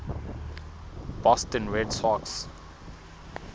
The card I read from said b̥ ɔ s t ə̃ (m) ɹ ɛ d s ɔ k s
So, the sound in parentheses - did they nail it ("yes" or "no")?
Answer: no